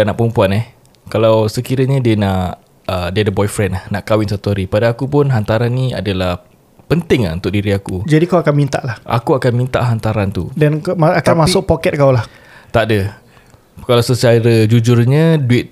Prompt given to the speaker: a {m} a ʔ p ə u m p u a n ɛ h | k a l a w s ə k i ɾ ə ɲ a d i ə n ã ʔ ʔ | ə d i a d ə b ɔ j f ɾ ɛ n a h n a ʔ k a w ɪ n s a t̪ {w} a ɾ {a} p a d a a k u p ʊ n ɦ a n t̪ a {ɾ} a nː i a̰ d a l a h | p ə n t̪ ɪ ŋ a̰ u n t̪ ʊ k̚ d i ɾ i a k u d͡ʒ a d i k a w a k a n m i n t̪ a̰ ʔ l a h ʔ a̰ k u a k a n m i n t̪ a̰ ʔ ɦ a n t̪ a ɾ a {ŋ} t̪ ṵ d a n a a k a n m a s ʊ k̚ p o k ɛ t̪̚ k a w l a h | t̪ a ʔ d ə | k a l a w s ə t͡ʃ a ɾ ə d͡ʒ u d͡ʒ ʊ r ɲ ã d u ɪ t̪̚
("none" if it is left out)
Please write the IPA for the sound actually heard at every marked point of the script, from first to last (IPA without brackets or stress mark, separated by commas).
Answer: n, u, i, ɾ, n